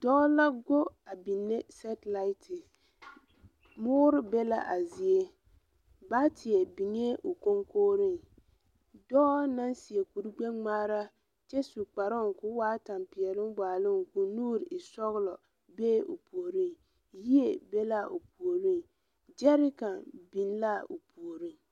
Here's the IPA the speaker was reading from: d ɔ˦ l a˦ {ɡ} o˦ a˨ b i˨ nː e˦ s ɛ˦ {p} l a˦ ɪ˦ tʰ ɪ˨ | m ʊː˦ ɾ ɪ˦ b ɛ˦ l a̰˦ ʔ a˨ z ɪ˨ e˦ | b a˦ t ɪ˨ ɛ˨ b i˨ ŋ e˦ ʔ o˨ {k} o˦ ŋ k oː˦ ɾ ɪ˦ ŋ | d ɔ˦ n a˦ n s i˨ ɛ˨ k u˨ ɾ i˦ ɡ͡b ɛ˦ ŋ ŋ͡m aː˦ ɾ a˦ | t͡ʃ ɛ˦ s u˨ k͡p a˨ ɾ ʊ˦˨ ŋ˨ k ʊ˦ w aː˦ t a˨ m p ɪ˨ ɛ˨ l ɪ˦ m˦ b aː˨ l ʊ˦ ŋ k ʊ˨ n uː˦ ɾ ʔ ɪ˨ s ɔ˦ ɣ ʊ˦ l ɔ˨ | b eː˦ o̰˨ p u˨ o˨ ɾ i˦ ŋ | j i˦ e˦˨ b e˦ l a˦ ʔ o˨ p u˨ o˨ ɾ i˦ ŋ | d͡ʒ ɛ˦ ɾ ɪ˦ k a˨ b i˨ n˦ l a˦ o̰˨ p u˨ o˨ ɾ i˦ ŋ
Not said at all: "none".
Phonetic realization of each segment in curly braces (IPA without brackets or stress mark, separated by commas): ɡ, t, k